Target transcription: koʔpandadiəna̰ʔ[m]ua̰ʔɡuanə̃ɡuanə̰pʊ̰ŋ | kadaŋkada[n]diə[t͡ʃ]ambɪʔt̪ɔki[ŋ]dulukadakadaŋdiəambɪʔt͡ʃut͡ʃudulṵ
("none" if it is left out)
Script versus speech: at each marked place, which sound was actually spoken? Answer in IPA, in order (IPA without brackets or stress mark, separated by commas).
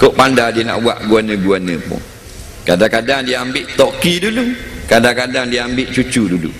b, ŋ, none, none